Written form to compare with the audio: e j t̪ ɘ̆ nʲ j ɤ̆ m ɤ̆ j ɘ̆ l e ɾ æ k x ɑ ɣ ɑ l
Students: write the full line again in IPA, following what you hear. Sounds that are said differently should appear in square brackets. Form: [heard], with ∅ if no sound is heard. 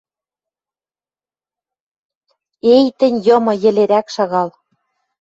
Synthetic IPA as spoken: e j t̪ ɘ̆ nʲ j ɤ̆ m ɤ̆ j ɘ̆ l e ɾ æ k [ʃ] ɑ ɣ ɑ l